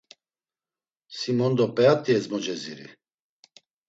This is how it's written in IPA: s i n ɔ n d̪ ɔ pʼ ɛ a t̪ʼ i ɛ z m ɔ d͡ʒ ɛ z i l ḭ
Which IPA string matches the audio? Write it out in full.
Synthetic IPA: s i m ɔ n d̪ ɔ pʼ ɛ a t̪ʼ i ɛ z m ɔ d͡ʒ ɛ z i ɾ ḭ